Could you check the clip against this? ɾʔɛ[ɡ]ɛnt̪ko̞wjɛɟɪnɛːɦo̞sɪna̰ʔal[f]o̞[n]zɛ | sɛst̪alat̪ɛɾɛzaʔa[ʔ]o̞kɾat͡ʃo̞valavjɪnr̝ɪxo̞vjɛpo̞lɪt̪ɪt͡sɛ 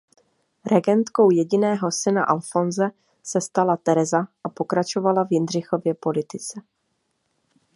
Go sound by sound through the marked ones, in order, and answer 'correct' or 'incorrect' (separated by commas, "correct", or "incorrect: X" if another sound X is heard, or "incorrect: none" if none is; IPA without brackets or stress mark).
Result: correct, correct, correct, incorrect: p